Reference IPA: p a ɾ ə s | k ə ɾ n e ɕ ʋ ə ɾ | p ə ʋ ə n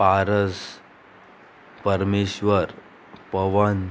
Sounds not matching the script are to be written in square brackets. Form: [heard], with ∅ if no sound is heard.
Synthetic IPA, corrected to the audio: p a ɾ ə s | [p] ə ɾ [m] e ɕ ʋ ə ɾ | p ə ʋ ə n